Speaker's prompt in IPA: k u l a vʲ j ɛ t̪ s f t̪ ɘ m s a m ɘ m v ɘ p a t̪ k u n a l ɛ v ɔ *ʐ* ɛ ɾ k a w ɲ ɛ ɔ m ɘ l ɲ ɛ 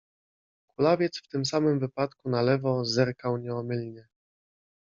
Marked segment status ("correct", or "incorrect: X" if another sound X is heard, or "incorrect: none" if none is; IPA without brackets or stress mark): incorrect: z